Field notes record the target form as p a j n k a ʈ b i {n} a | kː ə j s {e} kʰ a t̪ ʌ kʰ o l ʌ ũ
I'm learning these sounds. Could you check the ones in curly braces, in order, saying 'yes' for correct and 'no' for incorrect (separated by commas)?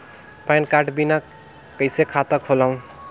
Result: yes, yes